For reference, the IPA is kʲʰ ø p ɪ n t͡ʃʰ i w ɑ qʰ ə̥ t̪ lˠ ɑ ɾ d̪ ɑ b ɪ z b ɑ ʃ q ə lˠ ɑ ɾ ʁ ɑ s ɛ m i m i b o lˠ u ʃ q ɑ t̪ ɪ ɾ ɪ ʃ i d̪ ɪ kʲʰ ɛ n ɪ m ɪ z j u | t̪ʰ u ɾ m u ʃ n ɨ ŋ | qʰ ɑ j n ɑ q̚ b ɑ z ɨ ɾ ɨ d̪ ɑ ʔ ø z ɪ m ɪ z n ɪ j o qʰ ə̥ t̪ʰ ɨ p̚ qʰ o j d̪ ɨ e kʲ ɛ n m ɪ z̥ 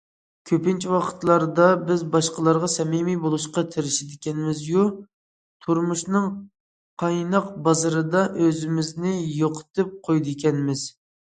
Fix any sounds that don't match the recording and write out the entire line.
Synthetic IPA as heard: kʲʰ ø p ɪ n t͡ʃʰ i w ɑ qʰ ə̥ t̪ lˠ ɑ ɾ d̪ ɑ b ɪ z b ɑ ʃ q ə lˠ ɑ ɾ ʁ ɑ s ɛ m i m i b o lˠ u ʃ q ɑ t̪ʰ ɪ ɾ ɪ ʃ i d̪ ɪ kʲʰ ɛ n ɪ m ɪ z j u | t̪ʰ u ɾ m u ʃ n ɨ ŋ | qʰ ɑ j n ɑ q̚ b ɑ z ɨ ɾ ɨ d̪ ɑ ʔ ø z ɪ m ɪ z n ɪ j o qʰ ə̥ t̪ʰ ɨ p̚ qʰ o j d̪ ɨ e kʲ ɛ n m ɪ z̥